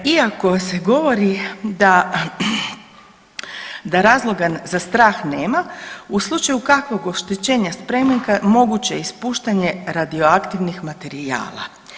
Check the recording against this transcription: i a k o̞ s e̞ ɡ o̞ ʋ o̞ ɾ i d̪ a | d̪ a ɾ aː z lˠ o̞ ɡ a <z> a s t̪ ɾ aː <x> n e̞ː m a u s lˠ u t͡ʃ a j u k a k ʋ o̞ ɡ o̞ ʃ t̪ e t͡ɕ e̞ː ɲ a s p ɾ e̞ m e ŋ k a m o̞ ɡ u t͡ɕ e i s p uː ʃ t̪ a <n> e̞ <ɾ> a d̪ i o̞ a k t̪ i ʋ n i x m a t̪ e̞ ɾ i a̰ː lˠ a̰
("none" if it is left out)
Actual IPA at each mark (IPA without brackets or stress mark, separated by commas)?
z, x, ɲ, ɾ